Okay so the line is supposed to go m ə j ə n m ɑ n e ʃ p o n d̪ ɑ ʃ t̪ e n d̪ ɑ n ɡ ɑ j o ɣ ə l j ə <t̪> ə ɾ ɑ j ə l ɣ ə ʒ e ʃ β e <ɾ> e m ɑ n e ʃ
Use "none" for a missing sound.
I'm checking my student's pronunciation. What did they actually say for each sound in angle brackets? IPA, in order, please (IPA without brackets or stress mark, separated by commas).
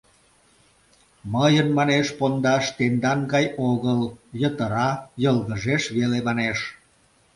t̪, l